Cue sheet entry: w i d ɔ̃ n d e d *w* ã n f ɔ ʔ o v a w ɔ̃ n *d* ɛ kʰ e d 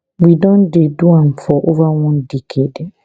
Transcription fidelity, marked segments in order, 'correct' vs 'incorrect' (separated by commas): incorrect, correct